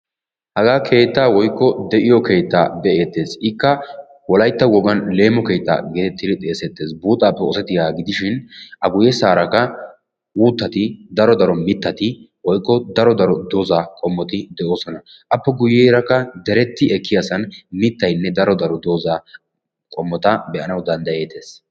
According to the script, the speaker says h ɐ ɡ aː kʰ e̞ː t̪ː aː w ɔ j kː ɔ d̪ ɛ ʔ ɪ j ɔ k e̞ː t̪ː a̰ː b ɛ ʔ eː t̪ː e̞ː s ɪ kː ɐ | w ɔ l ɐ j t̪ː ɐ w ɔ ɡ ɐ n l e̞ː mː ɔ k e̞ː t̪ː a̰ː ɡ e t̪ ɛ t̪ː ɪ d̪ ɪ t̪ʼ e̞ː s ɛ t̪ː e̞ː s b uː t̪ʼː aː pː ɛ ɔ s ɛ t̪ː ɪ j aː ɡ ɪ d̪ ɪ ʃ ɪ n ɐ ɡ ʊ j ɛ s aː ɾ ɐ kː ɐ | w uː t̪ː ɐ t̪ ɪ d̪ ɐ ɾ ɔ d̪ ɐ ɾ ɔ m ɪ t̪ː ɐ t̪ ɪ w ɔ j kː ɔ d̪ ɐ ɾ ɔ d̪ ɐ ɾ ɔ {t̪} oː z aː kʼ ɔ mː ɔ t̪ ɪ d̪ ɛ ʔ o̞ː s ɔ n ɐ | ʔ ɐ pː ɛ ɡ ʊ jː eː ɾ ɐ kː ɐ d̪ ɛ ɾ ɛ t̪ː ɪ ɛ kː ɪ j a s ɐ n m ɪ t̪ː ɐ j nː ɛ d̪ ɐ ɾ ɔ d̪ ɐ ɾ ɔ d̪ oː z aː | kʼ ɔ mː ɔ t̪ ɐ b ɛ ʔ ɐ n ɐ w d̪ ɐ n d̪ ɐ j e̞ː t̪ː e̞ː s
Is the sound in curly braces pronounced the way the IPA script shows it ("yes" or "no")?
no